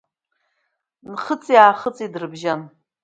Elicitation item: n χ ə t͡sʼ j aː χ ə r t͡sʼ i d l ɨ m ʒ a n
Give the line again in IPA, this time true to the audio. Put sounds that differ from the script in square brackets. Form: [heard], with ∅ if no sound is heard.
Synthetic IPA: n χ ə t͡sʼ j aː χ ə [∅] t͡sʼ i d [r] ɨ [b] ʒ a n

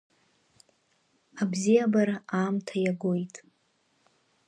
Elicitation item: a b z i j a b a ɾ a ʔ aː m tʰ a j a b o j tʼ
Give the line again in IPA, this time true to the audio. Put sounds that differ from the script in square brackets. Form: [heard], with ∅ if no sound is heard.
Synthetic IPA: a b z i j a b a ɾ a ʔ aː m tʰ a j a [ɡ] o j tʼ

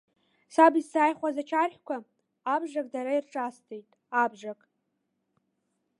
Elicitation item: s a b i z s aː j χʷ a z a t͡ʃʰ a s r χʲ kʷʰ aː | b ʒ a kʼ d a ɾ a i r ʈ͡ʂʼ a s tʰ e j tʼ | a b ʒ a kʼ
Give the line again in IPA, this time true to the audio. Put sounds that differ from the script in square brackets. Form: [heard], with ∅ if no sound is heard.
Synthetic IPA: s a b i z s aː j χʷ a z a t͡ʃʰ a [∅] r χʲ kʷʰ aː | b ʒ a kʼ d a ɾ a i r ʈ͡ʂʼ a s tʰ e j tʼ | a b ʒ a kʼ

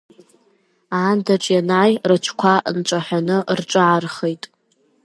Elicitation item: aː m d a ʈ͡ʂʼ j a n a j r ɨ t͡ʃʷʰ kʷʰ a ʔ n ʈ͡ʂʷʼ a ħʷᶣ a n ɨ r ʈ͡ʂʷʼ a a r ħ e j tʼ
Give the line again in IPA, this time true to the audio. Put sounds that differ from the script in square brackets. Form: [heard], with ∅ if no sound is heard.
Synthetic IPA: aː [n] d a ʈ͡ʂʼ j a n a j r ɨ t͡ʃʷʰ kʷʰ a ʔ n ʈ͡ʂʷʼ a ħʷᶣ a n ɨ r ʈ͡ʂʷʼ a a r [χ] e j tʼ

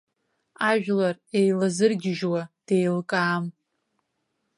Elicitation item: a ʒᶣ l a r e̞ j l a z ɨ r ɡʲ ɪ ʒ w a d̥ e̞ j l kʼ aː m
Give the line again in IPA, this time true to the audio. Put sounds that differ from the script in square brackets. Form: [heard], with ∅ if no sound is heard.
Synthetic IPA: a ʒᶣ l a r e̞ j l a z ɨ r ɡʲ ɪ ʒ w a d̥ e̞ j l kʼ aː m

